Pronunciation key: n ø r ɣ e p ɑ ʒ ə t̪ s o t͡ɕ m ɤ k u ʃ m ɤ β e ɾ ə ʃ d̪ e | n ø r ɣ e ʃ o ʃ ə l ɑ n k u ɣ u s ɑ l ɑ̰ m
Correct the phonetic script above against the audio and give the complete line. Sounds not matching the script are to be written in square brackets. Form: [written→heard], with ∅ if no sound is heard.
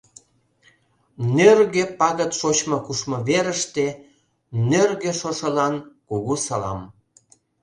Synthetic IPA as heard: n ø r ɣ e p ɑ [ʒ→ɣ] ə t̪ [s→ʃ] o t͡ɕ m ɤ k u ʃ m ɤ β e ɾ ə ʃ [d̪→t̪] e | n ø r ɣ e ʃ o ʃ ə l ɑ n k u ɣ u s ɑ l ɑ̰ m